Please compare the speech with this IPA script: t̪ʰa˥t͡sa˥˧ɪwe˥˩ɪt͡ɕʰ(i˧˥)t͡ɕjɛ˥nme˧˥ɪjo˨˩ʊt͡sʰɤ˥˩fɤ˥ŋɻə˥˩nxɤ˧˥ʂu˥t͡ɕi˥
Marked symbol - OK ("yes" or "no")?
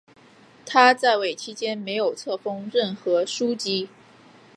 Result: no